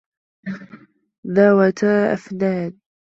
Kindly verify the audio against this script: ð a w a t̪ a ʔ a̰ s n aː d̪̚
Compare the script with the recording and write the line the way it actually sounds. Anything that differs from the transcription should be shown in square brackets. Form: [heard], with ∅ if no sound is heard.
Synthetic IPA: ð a w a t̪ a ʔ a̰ [f] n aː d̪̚